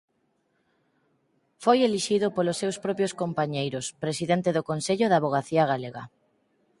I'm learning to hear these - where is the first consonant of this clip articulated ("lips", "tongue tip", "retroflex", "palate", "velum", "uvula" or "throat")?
lips